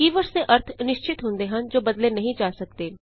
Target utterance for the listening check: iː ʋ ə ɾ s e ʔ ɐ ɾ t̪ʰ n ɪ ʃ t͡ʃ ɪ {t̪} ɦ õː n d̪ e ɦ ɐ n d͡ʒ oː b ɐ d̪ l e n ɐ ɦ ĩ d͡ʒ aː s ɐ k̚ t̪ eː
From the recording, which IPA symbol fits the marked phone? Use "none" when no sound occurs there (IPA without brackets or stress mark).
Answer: t̪